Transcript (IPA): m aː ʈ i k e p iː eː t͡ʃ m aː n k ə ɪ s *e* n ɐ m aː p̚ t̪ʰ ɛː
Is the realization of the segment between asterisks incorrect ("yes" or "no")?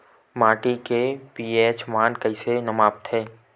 no